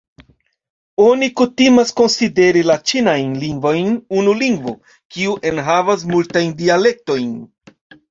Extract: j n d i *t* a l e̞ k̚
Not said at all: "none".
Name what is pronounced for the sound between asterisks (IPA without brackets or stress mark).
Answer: none